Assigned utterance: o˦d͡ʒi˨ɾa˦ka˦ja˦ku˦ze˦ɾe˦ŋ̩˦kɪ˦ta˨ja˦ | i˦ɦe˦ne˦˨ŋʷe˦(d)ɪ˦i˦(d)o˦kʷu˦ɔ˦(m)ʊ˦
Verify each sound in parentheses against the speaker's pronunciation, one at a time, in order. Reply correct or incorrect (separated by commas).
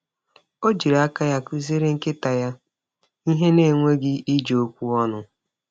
incorrect, incorrect, incorrect